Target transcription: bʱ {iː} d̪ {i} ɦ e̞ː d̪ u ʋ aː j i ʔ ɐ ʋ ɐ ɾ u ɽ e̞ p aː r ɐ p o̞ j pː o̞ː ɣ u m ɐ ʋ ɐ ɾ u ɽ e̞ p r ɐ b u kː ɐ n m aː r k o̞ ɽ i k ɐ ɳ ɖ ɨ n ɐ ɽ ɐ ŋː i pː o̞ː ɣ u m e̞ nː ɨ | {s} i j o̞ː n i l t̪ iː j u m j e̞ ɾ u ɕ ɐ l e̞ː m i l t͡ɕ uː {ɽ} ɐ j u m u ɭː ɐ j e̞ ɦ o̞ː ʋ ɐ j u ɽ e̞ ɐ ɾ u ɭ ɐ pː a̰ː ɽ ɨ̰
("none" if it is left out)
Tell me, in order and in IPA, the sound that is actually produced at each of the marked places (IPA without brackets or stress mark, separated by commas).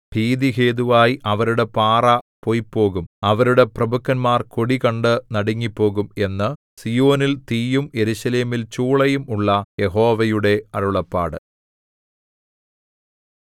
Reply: iː, i, s, ɭ